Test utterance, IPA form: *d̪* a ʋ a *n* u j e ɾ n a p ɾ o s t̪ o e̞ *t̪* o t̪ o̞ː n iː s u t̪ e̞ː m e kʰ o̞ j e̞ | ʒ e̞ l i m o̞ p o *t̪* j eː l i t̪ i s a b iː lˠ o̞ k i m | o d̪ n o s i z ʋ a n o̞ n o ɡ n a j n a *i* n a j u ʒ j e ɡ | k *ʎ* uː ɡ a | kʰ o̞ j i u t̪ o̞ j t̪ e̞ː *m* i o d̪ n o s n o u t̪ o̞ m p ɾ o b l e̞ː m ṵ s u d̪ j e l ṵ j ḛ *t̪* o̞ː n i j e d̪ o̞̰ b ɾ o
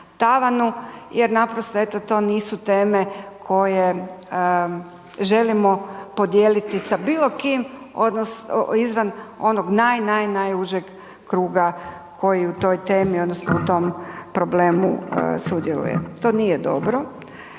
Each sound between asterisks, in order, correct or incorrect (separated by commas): incorrect, correct, correct, incorrect, incorrect, incorrect, correct, correct